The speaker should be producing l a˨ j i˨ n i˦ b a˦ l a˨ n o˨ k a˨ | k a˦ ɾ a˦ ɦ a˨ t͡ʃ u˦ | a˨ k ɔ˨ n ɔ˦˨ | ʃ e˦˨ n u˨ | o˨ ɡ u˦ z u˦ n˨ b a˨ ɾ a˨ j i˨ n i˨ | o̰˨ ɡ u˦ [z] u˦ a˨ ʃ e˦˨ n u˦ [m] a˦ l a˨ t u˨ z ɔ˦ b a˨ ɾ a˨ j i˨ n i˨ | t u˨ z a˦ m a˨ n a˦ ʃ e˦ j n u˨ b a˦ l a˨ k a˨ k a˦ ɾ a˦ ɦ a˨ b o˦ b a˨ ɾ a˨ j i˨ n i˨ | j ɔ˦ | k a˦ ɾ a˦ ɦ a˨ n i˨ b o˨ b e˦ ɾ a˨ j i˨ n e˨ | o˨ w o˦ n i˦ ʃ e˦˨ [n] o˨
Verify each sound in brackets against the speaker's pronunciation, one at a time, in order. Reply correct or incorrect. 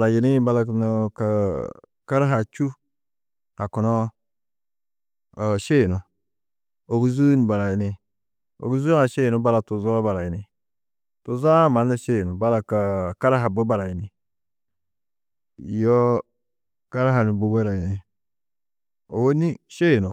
correct, incorrect: b, correct

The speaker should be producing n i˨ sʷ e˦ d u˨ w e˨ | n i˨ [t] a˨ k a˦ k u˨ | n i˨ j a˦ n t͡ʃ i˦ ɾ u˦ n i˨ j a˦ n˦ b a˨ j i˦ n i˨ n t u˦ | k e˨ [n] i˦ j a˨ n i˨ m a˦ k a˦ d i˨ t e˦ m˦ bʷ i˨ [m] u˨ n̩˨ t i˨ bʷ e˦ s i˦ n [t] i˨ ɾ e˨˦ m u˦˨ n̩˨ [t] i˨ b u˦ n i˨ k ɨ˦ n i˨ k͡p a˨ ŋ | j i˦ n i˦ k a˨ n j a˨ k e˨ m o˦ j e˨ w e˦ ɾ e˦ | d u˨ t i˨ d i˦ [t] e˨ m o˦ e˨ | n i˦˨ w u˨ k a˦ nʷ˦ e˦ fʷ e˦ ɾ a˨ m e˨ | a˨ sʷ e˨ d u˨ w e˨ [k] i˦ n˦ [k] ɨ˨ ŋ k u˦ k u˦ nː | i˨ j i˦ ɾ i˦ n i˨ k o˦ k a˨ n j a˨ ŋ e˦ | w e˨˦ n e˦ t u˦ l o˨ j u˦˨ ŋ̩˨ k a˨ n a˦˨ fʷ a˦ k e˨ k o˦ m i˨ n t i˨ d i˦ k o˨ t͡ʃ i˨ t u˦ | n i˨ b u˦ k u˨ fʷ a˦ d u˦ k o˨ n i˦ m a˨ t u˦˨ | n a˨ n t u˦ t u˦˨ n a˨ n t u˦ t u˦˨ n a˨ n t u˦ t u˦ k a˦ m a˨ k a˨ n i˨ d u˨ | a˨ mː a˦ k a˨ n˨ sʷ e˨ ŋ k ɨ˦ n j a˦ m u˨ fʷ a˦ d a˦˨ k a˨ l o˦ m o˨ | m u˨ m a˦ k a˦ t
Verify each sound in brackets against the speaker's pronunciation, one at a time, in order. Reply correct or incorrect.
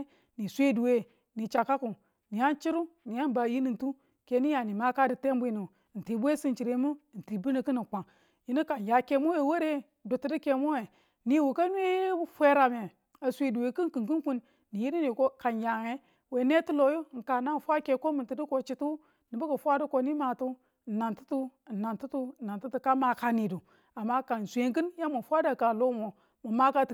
incorrect: t͡ʃ, correct, incorrect: n, incorrect: t͡ʃ, correct, incorrect: k, correct, correct

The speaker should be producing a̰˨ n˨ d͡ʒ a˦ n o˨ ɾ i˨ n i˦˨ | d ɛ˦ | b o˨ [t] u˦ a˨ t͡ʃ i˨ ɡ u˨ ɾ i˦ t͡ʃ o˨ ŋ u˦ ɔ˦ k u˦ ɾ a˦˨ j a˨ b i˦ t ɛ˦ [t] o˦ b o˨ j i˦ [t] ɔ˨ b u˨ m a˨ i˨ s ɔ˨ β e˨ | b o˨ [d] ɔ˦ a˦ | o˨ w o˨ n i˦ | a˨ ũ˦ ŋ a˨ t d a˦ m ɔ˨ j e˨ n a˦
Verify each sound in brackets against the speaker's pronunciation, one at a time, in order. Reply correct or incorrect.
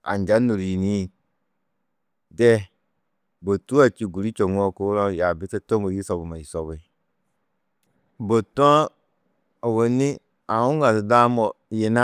correct, correct, incorrect: s, incorrect: t

